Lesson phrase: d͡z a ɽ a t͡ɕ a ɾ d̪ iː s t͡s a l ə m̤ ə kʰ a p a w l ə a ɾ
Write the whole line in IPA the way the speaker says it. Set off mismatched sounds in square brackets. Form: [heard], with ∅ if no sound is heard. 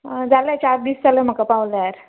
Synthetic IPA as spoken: d͡z a [l] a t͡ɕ a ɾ d̪ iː s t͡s a l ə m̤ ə [k] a p a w l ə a ɾ